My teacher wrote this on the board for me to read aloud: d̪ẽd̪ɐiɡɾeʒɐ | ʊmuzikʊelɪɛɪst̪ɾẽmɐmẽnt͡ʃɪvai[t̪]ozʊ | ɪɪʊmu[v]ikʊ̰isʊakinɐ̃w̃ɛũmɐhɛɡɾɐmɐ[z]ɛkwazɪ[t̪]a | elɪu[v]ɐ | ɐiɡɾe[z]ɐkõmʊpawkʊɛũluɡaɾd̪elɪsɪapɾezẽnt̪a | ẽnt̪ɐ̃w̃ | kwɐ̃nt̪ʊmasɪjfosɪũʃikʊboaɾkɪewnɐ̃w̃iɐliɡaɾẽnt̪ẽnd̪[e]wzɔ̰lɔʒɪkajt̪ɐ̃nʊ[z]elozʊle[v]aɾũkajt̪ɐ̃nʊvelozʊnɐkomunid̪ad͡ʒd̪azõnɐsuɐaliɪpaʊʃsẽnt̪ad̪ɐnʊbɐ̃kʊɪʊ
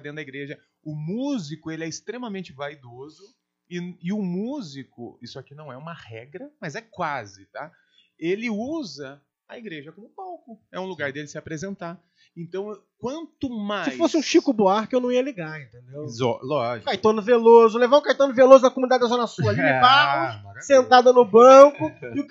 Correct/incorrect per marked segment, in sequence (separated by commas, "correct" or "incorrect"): incorrect, incorrect, correct, correct, incorrect, incorrect, correct, incorrect, correct